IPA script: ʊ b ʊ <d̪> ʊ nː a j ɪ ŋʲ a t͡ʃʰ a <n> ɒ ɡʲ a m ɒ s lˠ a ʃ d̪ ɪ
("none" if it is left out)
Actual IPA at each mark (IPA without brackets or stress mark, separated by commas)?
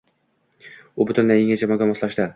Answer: t̪, m